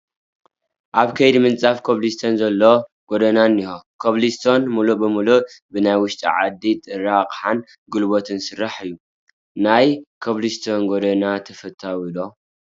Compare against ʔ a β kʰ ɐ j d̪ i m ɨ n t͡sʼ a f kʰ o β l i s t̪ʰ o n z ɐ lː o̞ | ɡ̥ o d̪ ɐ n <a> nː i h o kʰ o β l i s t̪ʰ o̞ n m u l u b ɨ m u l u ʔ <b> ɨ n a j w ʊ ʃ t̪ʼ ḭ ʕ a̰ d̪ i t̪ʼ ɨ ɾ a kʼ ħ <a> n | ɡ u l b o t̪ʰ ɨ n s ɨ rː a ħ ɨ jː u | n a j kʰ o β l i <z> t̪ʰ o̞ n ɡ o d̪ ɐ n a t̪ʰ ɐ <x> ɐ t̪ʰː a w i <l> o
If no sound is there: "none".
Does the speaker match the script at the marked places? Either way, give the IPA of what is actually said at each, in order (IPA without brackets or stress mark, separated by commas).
a, b, a, s, f, l